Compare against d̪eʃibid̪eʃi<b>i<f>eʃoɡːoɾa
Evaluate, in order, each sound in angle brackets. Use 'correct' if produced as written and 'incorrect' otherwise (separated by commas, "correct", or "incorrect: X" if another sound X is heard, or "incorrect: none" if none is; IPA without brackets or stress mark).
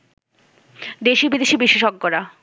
correct, incorrect: ʃ